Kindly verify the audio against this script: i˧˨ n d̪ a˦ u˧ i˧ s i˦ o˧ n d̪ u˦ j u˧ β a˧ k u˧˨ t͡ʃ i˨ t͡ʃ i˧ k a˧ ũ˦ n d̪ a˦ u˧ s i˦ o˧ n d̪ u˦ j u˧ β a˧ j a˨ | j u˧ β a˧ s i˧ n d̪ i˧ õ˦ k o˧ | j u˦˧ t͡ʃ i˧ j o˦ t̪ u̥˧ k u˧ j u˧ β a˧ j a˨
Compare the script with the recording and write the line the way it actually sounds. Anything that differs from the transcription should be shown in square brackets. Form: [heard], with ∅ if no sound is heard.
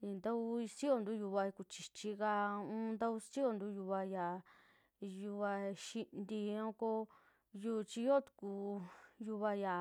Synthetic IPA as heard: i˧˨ n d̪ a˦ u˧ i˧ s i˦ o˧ n d̪ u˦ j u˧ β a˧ k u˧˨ t͡ʃ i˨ t͡ʃ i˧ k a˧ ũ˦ n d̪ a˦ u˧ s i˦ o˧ n d̪ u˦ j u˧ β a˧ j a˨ | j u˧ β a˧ [ʃ] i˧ n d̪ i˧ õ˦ k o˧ | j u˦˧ t͡ʃ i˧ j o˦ t̪ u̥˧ k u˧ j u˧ β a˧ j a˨